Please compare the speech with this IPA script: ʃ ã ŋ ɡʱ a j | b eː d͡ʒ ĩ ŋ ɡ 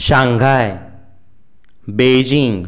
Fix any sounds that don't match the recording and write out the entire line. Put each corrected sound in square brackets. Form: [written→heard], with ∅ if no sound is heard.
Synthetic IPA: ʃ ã ŋ ɡʱ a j | b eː d͡ʒ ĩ ŋ ɡ